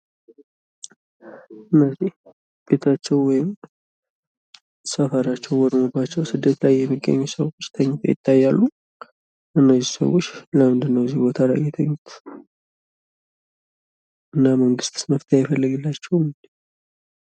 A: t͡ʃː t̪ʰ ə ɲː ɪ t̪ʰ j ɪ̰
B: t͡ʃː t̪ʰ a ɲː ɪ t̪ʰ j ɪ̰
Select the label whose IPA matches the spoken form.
A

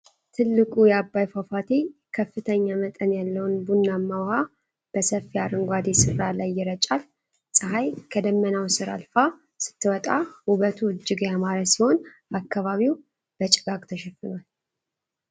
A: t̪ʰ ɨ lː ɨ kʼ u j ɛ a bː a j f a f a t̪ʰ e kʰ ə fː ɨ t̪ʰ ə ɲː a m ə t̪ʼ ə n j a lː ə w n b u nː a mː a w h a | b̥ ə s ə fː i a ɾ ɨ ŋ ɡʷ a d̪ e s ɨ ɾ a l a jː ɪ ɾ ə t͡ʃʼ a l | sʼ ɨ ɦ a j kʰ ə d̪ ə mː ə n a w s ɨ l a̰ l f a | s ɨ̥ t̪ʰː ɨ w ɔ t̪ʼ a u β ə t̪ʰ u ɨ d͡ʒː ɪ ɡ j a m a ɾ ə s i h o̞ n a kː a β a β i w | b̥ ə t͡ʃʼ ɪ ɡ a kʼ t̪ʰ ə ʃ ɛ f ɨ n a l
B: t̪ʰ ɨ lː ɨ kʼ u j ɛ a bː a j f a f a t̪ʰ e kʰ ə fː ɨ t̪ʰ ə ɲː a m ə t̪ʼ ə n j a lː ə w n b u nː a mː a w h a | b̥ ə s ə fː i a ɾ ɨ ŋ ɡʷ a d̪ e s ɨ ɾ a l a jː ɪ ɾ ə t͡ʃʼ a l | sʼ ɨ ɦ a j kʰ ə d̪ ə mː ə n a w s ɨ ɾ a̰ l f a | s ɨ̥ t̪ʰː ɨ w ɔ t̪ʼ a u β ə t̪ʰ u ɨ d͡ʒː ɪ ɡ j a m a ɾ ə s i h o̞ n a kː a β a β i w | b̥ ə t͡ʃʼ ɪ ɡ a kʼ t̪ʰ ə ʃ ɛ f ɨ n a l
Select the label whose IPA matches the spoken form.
B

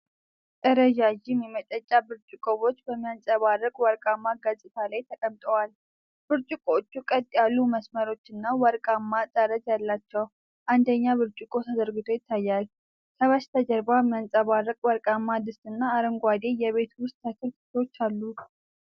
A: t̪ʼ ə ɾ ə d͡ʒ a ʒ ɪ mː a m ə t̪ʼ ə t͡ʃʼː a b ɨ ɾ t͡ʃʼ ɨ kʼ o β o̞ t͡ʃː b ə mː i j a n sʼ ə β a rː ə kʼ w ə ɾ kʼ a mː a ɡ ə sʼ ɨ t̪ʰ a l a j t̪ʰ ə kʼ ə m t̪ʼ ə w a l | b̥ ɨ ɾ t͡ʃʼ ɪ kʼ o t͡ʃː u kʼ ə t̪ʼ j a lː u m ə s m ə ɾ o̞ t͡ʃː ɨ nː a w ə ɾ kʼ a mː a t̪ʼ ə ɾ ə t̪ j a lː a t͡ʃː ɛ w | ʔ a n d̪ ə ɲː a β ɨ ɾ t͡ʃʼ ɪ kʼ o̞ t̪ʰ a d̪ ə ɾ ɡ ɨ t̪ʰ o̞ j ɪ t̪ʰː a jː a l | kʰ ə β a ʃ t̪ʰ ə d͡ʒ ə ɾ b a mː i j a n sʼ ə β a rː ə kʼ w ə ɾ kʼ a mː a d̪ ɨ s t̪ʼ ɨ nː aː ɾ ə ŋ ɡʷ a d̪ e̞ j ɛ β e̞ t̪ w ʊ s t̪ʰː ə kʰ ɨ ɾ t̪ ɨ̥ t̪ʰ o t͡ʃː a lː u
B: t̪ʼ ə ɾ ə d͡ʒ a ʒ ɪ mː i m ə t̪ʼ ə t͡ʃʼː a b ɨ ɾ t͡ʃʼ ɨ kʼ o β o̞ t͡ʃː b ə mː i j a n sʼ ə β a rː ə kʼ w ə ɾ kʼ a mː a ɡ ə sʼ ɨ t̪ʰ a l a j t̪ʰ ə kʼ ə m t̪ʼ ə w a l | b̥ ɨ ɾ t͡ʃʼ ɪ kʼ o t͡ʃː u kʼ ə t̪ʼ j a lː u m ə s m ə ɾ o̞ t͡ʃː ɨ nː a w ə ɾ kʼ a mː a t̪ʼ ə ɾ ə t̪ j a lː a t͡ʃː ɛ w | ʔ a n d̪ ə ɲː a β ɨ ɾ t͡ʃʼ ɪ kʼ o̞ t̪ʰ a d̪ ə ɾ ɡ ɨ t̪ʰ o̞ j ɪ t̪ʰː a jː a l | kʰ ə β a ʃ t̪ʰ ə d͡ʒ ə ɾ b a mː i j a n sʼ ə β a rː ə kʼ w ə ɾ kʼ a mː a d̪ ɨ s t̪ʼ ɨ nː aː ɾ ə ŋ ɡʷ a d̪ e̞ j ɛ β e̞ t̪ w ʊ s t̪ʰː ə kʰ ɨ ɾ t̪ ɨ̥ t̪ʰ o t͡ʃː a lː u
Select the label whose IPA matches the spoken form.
B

